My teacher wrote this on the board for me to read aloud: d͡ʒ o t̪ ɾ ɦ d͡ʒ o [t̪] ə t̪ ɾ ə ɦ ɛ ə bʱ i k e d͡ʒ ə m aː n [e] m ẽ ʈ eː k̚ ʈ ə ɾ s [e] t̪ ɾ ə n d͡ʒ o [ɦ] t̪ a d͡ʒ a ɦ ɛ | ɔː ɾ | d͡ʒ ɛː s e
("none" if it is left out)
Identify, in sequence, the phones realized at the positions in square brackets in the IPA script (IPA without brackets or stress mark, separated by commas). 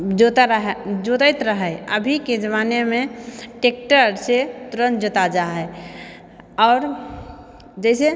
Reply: t̪, e, e, none